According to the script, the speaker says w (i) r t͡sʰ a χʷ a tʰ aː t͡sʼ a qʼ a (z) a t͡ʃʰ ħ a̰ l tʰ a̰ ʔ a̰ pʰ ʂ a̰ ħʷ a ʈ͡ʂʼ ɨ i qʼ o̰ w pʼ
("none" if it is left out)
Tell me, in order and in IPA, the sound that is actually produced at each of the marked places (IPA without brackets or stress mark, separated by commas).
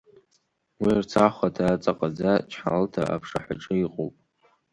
i, d͡z